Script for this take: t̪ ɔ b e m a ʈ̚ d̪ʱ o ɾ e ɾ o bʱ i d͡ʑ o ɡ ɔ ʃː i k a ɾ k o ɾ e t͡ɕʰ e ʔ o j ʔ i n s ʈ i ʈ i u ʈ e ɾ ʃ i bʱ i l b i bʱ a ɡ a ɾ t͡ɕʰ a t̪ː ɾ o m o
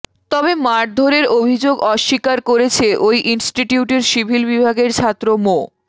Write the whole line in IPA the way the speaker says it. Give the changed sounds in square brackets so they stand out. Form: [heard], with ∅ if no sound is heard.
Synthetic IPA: t̪ ɔ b e m a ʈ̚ d̪ʱ o ɾ e ɾ o bʱ i d͡ʑ o ɡ ɔ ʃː i k a ɾ k o ɾ e t͡ɕʰ e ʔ o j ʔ i n s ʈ i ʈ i u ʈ e ɾ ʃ i bʱ i l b i bʱ a ɡ [e] ɾ t͡ɕʰ a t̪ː ɾ o m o